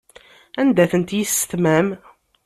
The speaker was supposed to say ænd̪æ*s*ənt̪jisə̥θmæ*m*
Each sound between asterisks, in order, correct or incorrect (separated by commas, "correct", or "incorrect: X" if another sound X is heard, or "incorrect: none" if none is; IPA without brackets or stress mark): incorrect: θ, correct